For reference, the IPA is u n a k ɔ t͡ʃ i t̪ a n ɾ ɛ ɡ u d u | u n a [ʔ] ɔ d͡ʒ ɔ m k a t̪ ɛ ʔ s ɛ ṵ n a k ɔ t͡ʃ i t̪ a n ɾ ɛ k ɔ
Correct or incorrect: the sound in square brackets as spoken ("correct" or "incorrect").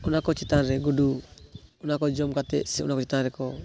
incorrect